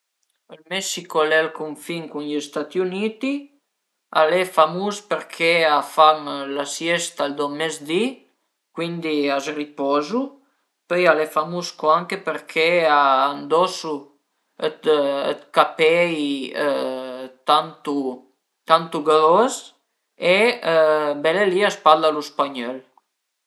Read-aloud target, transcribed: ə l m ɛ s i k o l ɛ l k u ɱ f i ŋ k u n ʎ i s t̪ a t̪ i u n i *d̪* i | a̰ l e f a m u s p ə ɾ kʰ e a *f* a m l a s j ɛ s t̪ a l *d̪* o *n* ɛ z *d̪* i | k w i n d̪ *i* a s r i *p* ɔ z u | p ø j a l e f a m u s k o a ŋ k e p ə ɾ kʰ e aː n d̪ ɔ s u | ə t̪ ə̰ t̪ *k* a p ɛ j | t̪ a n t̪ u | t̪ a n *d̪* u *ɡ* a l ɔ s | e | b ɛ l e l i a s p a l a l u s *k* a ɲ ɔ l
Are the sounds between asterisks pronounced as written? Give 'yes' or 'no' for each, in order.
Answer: no, yes, yes, no, yes, yes, yes, yes, no, yes, no

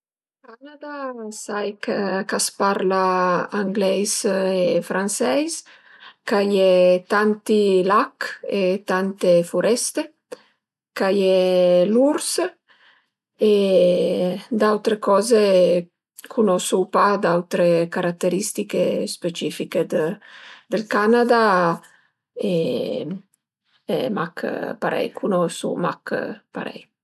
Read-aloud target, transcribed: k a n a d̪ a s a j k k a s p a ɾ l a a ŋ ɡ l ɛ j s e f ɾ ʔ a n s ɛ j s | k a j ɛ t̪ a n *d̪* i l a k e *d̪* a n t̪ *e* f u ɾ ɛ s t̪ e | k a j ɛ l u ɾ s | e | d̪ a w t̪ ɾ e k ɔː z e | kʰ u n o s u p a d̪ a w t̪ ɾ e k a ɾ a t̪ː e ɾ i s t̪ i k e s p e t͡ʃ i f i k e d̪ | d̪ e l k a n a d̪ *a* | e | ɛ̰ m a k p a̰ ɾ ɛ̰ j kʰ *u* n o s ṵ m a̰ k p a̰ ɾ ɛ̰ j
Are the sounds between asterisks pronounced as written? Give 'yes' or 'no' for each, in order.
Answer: no, no, yes, yes, yes

